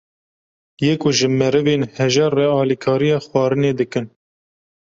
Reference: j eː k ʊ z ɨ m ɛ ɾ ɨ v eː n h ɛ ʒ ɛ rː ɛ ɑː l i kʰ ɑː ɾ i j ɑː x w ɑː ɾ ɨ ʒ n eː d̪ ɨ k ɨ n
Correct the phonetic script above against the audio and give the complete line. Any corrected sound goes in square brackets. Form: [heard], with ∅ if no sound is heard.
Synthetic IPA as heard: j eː k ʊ [ʒ] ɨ m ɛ ɾ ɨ v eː n h ɛ ʒ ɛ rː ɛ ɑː l i kʰ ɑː ɾ i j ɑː x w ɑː ɾ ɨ [∅] n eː d̪ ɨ k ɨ n